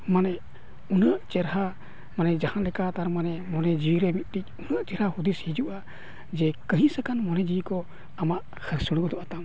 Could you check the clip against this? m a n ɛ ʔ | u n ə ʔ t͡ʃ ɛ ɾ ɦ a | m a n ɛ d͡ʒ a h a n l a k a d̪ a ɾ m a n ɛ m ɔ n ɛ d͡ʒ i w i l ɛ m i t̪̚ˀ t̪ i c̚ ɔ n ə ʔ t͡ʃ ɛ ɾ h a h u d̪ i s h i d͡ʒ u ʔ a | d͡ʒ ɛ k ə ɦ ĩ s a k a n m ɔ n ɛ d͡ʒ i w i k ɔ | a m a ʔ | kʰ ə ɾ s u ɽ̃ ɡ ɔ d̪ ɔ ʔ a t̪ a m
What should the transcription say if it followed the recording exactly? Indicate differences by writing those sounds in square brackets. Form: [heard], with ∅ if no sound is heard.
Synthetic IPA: m a n ɛ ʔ | u n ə ʔ t͡ʃ ɛ ɾ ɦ a | m a n ɛ d͡ʒ a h a n l [ɛ] k a [t̪] a ɾ m a n ɛ m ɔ n ɛ d͡ʒ i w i [ɾ] ɛ m i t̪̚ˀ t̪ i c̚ [u] n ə ʔ t͡ʃ ɛ ɾ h a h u d̪ i s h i d͡ʒ u ʔ a | d͡ʒ ɛ k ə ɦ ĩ s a k a n m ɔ n ɛ d͡ʒ i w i k ɔ | a m a ʔ | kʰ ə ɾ s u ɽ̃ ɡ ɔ d̪ ɔ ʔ a t̪ a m